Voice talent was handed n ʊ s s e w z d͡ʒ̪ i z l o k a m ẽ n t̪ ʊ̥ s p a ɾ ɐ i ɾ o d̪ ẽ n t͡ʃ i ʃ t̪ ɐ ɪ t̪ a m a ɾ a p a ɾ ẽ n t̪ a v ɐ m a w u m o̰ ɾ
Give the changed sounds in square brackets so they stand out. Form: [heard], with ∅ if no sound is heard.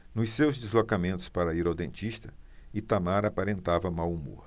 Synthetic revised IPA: n ʊ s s e w z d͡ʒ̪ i z l o k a m ẽ n t̪ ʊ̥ s p a ɾ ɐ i ɾ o d̪ ẽ n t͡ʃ i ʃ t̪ ɐ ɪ t̪ a m a ɾ a p a ɾ ẽ n t̪ a v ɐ m a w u m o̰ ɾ